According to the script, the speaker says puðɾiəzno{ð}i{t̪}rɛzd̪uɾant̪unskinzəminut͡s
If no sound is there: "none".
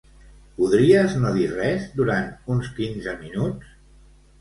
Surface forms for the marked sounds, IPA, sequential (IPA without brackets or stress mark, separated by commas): ð, none